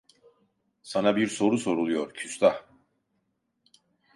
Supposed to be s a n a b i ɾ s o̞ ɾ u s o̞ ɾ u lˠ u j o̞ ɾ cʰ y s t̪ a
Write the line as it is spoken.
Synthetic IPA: s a n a b i ɾ s o̞ ɾ u s o̞ ɾ u lˠ u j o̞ ɾ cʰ y s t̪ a